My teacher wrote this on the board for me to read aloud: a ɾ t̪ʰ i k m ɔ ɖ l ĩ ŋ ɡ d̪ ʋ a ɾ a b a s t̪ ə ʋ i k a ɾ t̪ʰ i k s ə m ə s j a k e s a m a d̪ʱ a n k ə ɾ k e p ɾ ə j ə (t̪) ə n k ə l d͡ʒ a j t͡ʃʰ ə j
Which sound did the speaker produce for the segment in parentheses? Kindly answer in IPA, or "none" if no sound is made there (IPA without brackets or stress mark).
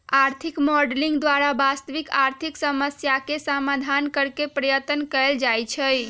t̪